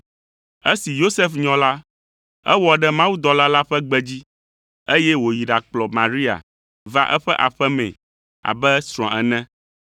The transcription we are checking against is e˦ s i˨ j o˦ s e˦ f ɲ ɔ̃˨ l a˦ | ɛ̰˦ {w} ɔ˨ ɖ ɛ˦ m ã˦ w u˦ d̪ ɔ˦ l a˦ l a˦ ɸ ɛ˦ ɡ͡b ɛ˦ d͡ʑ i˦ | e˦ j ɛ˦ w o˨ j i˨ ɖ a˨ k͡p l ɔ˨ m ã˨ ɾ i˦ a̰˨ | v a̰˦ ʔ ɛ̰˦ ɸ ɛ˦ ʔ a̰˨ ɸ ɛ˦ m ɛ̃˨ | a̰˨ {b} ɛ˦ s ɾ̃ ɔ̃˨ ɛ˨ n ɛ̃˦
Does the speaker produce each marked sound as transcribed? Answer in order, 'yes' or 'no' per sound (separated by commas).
yes, yes